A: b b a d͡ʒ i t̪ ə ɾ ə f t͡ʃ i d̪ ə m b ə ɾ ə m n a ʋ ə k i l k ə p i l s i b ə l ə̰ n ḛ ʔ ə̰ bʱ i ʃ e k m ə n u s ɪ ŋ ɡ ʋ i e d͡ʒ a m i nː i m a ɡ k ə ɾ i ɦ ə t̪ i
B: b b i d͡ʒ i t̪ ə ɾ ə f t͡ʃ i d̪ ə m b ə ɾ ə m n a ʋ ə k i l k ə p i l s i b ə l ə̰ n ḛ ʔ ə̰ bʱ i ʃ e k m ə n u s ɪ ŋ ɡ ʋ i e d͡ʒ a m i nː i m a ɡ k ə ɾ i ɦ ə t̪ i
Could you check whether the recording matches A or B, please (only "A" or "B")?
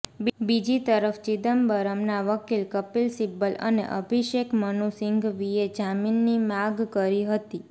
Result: B